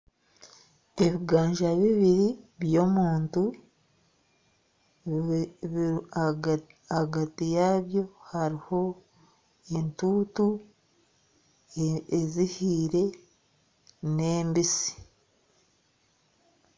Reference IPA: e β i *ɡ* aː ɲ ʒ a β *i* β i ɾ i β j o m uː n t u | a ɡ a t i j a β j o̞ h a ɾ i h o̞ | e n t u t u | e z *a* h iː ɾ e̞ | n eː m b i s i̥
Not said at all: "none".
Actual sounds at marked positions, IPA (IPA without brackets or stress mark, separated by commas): ɡ, i, i